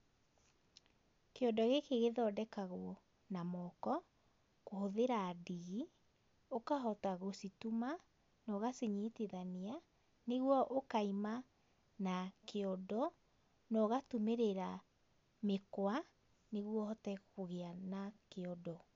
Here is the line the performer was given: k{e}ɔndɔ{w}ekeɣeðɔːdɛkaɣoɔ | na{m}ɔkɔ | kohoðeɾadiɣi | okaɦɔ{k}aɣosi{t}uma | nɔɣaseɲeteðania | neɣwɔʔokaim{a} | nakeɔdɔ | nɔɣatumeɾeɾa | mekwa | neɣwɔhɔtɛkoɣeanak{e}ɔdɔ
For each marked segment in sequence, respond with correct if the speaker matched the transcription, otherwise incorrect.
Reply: correct, incorrect, correct, incorrect, correct, correct, correct

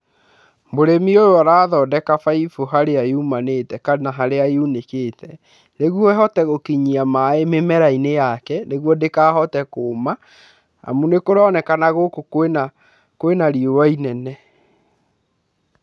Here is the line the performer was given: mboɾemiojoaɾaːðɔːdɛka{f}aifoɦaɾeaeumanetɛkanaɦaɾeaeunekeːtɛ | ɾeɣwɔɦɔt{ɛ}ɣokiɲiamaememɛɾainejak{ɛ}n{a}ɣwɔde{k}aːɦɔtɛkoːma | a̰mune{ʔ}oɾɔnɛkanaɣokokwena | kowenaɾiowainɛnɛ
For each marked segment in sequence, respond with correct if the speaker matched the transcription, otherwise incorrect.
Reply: correct, correct, correct, incorrect, correct, incorrect

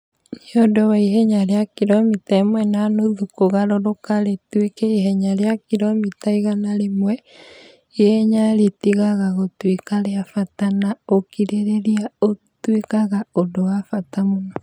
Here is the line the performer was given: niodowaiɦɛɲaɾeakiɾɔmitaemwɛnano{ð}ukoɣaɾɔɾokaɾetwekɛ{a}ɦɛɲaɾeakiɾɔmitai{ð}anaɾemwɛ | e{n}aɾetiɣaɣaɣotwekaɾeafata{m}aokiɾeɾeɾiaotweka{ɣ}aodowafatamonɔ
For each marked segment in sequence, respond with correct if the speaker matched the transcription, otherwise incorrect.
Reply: correct, incorrect, incorrect, incorrect, incorrect, correct

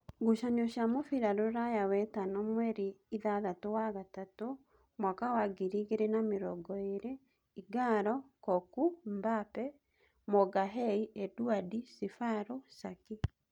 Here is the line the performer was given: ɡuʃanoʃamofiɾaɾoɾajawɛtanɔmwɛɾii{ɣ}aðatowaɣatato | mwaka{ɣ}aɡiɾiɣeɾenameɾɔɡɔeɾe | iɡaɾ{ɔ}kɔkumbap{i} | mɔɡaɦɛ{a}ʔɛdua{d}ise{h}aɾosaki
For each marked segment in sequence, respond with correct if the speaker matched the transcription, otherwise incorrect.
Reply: incorrect, incorrect, correct, incorrect, incorrect, correct, incorrect

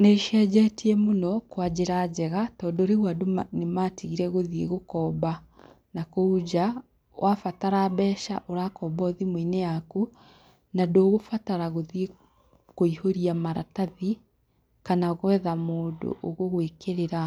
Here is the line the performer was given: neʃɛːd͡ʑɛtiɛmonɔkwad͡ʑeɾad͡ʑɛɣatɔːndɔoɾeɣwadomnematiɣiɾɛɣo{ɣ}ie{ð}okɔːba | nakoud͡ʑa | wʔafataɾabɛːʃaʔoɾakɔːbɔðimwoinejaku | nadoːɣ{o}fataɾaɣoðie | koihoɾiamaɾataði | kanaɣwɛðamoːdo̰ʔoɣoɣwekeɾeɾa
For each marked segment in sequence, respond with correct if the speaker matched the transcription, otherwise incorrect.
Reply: incorrect, incorrect, correct

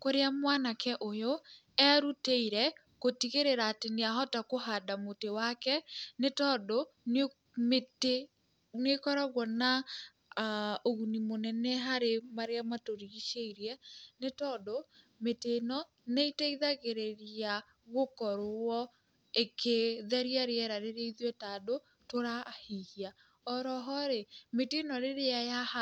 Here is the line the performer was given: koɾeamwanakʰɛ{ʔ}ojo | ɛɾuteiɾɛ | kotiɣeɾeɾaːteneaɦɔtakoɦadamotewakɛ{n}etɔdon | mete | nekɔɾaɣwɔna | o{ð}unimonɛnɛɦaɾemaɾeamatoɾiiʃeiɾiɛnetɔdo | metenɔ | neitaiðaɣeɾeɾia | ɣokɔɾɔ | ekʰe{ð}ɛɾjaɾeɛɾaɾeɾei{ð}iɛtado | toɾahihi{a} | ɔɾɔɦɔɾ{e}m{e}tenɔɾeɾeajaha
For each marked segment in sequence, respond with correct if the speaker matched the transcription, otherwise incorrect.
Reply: correct, correct, incorrect, correct, correct, correct, correct, correct

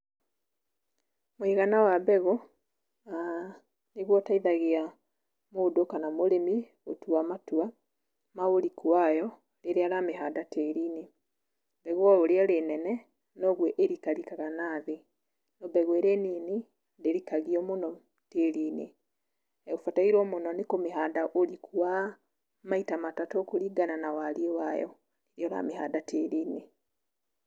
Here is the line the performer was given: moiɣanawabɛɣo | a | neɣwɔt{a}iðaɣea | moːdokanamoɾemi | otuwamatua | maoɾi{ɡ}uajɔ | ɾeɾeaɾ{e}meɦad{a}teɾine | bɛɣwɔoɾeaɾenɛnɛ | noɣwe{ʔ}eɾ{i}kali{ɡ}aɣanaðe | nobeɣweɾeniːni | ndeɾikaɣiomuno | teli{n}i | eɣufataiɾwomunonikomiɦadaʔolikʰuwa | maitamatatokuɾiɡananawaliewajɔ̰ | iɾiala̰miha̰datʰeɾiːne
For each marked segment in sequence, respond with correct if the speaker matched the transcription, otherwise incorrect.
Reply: correct, incorrect, incorrect, correct, correct, correct, incorrect, correct

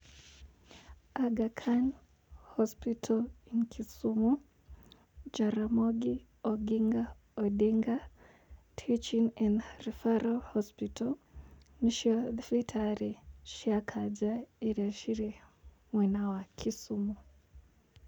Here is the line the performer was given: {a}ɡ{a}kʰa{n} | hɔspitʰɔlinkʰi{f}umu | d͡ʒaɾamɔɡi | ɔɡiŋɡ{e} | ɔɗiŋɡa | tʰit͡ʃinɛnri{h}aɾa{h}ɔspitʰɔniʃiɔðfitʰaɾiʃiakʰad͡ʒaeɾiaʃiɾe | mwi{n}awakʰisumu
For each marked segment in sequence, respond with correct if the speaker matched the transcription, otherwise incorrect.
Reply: correct, correct, correct, incorrect, incorrect, incorrect, correct, correct

